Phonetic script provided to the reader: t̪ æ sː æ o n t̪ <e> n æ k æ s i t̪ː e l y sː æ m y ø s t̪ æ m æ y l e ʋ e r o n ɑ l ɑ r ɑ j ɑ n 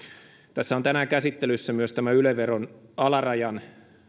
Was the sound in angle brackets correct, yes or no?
no